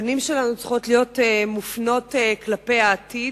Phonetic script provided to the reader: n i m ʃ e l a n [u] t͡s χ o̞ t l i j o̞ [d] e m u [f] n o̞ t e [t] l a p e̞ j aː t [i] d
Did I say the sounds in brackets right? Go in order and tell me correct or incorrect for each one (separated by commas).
correct, incorrect, correct, incorrect, correct